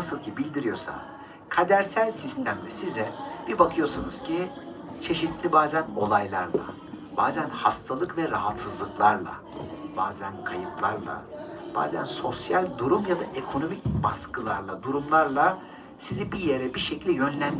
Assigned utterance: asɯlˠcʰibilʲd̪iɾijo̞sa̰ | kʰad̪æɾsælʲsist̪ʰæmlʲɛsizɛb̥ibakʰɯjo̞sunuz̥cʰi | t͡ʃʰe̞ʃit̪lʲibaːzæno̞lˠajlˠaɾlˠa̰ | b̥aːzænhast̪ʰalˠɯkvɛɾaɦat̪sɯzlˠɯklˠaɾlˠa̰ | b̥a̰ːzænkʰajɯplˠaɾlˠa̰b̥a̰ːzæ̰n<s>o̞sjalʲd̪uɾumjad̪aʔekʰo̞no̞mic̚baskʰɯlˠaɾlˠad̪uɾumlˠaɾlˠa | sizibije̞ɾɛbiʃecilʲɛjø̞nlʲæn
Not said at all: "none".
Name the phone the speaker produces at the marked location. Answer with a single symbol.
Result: s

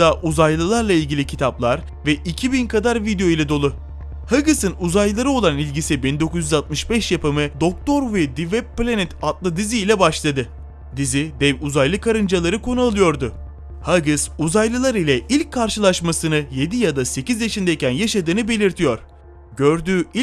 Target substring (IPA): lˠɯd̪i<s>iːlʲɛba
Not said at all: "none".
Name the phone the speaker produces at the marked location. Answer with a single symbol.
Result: z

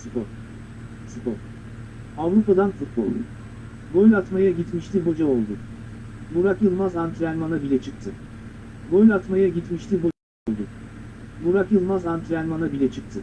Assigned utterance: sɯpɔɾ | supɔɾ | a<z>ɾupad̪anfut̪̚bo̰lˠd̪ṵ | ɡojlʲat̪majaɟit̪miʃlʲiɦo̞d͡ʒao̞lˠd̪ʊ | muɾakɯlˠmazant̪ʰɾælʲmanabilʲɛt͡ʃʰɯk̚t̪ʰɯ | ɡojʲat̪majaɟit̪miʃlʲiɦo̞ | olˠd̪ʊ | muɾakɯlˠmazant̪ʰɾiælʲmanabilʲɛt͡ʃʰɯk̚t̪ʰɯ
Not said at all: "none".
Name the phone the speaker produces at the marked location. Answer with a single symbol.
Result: v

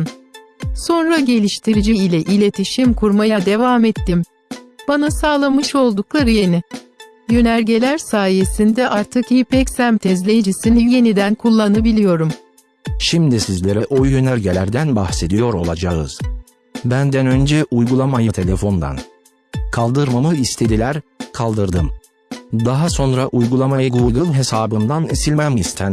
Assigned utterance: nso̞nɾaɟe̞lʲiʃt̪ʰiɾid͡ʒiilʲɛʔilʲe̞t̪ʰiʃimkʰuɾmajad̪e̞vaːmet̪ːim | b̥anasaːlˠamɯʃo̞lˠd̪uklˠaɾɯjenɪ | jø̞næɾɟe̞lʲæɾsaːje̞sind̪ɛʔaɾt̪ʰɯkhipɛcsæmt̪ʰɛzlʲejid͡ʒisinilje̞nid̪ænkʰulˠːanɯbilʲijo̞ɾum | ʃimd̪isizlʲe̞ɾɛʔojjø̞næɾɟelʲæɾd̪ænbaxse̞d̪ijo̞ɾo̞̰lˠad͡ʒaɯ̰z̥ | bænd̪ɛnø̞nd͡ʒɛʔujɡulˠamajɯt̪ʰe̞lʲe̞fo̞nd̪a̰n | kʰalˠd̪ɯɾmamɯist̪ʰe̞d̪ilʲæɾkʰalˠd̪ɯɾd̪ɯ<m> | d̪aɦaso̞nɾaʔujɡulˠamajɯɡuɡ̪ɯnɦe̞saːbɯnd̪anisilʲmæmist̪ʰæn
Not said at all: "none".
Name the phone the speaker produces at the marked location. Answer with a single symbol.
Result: m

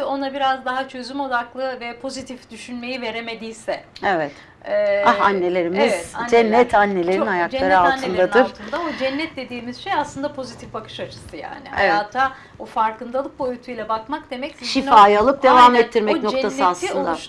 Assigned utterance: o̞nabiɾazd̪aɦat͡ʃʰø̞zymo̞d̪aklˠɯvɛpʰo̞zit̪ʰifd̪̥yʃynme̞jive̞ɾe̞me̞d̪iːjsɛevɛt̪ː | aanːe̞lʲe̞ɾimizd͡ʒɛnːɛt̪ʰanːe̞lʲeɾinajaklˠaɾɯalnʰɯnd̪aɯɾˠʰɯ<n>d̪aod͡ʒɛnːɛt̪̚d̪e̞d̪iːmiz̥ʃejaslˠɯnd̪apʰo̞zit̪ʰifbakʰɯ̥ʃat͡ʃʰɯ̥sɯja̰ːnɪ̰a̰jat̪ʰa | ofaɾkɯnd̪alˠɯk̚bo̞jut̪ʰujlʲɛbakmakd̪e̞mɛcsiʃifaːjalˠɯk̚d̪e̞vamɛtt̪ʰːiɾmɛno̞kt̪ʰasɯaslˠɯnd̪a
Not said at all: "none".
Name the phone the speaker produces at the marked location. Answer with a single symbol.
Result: n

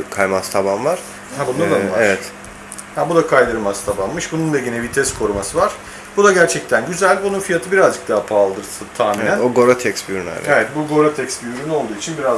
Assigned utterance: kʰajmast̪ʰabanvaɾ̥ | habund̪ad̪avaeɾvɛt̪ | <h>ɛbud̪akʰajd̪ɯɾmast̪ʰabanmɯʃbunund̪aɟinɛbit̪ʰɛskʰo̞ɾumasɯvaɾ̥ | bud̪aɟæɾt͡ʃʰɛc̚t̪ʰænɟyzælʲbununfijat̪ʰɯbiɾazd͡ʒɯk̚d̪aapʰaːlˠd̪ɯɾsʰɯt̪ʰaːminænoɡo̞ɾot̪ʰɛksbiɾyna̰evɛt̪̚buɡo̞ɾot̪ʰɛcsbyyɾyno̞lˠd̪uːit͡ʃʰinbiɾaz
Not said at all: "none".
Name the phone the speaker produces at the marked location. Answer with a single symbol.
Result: h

